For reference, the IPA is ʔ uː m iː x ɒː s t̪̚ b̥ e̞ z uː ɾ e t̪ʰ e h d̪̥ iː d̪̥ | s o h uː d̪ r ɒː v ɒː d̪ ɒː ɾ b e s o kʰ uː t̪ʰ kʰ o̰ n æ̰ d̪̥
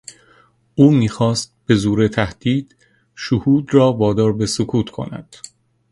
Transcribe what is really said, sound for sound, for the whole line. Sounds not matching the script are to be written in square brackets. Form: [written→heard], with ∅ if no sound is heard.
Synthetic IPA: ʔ uː m iː x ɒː s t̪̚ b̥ e̞ z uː ɾ e t̪ʰ [e→æ] h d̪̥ iː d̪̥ | [s→ʃ] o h uː d̪ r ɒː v ɒː d̪ ɒː ɾ b e s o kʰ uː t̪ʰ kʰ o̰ n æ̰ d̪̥

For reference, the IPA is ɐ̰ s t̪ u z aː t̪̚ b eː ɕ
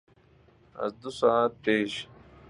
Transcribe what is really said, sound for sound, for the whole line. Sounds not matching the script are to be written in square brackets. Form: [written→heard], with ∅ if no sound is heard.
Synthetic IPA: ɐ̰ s [t̪→d̪] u [z→s] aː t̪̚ [b→p] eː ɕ

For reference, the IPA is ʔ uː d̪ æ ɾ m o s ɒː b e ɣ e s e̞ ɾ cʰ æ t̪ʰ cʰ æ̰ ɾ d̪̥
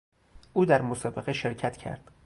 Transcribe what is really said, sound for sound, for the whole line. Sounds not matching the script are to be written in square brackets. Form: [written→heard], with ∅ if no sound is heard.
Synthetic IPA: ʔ uː d̪ æ ɾ m o s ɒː b e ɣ e [s→ʃ] e̞ ɾ cʰ æ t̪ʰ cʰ æ̰ ɾ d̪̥

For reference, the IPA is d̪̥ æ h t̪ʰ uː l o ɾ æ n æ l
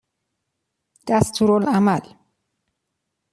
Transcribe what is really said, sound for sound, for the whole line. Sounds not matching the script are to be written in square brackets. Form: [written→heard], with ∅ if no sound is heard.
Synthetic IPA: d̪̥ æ [h→s] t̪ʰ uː [l→ɾ] o [ɾ→l] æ [n→m] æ l

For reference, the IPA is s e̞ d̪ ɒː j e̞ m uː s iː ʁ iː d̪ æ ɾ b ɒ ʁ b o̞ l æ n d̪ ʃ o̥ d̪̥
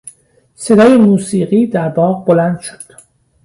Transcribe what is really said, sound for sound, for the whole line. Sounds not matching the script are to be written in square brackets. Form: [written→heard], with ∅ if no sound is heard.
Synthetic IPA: s e̞ d̪ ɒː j e̞ m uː s iː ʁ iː d̪ æ ɾ b [ɒ→ɒː] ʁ b o̞ l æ n d̪ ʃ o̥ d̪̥

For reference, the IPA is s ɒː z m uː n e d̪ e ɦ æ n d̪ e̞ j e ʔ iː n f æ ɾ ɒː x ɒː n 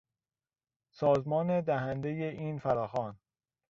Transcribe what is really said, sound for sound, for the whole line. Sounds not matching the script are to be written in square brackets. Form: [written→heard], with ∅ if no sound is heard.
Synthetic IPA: s ɒː z m [uː→ɒː] n e d̪ [e→æ] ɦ æ n d̪ e̞ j e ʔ iː n f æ ɾ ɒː x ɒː n

